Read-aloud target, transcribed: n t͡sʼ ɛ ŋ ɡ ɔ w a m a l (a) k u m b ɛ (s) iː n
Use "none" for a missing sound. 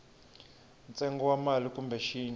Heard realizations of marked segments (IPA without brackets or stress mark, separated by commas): i, ʃ